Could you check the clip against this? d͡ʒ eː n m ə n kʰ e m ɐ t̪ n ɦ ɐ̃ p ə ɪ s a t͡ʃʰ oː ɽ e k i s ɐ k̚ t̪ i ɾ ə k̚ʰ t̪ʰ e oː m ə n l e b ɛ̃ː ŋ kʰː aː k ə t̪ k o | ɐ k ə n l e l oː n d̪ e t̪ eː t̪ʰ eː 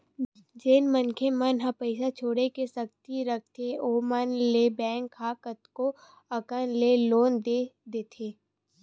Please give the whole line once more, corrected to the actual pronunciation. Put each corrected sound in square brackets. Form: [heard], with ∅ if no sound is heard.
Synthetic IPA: d͡ʒ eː n m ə n kʰ e m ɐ [∅] n ɦ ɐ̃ p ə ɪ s a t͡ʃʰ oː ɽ e k [e] s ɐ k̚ t̪ i ɾ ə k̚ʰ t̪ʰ e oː m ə n l e b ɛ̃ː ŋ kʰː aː k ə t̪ k o | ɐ k ə n l e l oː n d̪ e [d̪] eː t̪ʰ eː